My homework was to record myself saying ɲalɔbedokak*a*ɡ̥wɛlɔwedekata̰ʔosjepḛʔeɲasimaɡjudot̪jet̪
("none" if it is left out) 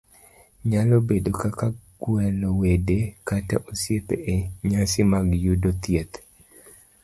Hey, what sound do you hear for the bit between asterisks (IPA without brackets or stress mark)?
a